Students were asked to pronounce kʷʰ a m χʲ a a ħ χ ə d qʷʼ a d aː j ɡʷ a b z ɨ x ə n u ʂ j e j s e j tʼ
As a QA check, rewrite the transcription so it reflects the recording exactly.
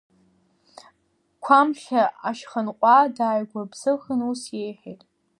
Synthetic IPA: kʷʰ a m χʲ a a ʃ χ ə n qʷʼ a d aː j ɡʷ a b z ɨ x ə n u s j e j ħ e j tʼ